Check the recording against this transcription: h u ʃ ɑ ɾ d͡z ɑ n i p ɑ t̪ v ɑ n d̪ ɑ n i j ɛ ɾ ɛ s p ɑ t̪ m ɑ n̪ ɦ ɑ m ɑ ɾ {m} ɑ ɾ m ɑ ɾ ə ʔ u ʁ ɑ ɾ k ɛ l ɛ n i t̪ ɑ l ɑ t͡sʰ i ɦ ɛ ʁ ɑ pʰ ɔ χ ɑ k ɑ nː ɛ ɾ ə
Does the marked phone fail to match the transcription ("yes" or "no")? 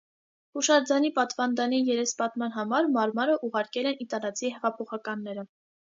no